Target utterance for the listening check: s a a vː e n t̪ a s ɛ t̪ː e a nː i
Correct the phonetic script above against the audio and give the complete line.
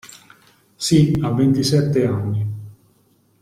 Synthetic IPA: s i a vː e n t̪ i s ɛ t̪ː e a nː i